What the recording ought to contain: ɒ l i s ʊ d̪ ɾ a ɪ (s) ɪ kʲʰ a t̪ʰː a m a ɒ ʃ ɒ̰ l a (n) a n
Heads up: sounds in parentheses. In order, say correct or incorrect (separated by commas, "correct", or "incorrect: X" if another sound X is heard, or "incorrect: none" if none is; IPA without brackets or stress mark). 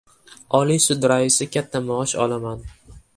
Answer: correct, incorrect: m